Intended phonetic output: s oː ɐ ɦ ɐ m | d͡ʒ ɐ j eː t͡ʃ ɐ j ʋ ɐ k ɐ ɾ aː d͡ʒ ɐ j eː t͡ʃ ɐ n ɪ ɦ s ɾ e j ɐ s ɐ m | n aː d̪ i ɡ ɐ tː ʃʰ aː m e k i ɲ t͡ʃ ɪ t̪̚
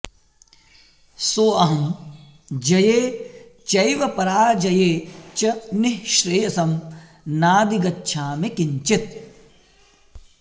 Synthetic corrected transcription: s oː ɐ ɦ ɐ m | d͡ʒ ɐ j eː t͡ʃ ɐ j ʋ ɐ p ɐ ɾ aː d͡ʒ ɐ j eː t͡ʃ ɐ n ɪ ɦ ʃ ɾ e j ɐ s ɐ m | n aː d̪ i ɡ ɐ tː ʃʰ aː m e k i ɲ t͡ʃ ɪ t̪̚